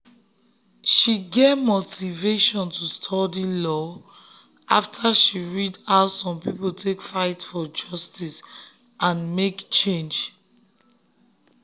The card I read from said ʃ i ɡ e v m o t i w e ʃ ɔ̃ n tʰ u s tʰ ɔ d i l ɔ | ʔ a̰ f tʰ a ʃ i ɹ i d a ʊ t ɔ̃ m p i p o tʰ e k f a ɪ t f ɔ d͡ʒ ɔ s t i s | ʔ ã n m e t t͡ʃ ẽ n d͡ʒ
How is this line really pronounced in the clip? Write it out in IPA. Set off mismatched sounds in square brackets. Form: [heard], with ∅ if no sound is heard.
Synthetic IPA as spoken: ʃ i ɡ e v m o t i [v] e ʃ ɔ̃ n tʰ u s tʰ ɔ d i l ɔ | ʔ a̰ f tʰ a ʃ i ɹ i d a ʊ [s] ɔ̃ m p i p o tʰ e k f a ɪ t f ɔ d͡ʒ ɔ s t i s | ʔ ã n m e [k] t͡ʃ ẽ n d͡ʒ